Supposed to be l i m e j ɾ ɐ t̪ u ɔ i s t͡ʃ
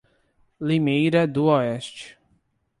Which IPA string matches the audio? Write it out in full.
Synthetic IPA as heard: l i m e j ɾ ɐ d̪ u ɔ ɛ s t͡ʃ

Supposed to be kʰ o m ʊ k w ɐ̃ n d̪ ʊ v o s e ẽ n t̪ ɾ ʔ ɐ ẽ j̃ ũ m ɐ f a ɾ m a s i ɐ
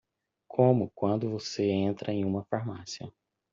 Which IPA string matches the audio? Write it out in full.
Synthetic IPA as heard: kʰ õ m ʊ k w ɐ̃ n d̪ ʊ v o s e ẽ n t̪ ɾ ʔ ɐ ẽ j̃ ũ m ɐ f a ɾ m a s i ɐ

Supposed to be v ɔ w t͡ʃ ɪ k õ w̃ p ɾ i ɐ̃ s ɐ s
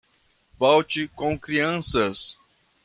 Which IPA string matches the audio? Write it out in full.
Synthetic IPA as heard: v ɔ w t͡ʃ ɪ k õ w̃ k ɾ i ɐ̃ s ɐ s

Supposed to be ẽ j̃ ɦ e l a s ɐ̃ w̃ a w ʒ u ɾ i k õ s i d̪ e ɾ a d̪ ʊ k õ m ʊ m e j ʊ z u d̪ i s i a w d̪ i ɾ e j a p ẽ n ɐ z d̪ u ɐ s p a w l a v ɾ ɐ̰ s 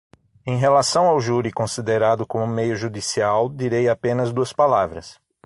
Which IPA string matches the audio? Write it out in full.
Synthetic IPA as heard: ẽ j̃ ɦ e l a s ɐ̃ w̃ a w ʒ u ɾ i k õ s i d̪ e ɾ a d̪ ʊ k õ m ʊ m e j ʊ ʒ u d̪ i s i a w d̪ i ɾ e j a p ẽ n ɐ z d̪ u ɐ s p a l a v ɾ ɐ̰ s

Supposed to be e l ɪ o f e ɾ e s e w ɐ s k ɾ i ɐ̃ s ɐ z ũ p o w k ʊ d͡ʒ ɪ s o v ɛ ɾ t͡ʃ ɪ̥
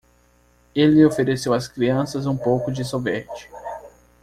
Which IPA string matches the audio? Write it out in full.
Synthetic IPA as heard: e l ɪ o f e ɾ e s e w ɐ s k ɾ i ɐ̃ s ɐ z ũ p o w k ʊ d͡ʒ ɪ s o v ɛ ɾ t͡ʃ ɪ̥

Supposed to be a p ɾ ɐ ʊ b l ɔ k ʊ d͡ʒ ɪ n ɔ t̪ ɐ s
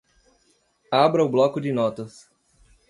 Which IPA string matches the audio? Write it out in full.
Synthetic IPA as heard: a b ɾ ɐ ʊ b l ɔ k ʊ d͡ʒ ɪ n ɔ t̪ ɐ s

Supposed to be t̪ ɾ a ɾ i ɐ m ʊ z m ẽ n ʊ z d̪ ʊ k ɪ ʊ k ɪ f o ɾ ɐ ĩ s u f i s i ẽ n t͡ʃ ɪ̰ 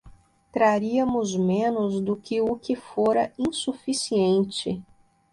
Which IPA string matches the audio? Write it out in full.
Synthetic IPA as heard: t̪ ɾ a ɾ i ɐ m ʊ z m ẽ n ʊ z d̪ ʊ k ɪ ʊ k ɪ f o ɾ ɐ ĩ s u f i s i ẽ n t͡ʃ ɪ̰

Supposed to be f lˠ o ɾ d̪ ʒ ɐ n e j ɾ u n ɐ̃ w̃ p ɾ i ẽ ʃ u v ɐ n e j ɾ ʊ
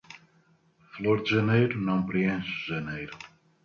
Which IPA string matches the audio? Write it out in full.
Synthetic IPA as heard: f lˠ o ɾ d̪ ʒ ɐ n e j ɾ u n ɐ̃ w̃ p ɾ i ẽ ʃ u ʒ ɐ n e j ɾ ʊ

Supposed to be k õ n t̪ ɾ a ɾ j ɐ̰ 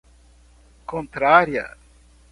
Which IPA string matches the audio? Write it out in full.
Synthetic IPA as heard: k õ n t̪ ɾ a ɾ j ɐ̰

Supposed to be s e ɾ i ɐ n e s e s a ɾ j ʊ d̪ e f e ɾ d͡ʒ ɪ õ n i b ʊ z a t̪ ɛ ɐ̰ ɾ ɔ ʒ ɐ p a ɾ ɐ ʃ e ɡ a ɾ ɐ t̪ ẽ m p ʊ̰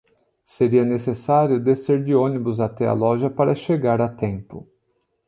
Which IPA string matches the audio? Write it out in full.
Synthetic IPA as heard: s e ɾ i ɐ n e s e s a ɾ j ʊ d̪ e s e ɾ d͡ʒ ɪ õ n i b ʊ z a t̪ ɛ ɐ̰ l ɔ ʒ ɐ p a ɾ ɐ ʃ e ɡ a ɾ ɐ t̪ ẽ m p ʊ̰

